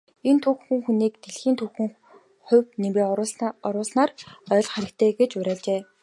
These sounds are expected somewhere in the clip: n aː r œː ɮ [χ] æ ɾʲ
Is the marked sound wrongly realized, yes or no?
no